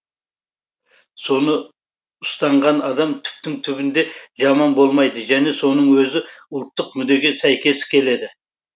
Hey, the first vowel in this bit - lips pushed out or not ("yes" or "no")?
yes